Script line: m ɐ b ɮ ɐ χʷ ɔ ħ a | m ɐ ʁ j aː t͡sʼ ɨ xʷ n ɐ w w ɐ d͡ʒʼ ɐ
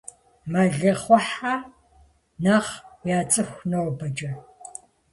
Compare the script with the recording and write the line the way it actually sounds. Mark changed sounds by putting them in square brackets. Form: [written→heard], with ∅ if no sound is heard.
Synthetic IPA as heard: m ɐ [b→∅] ɮ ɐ χʷ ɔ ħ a | [m→n] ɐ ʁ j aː t͡sʼ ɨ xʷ n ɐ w [w→b] ɐ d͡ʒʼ ɐ